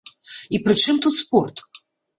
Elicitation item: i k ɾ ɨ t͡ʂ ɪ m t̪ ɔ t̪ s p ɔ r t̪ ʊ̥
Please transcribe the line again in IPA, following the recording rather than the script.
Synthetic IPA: i p ɾ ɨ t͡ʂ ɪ m t̪ u t̪ s p ɔ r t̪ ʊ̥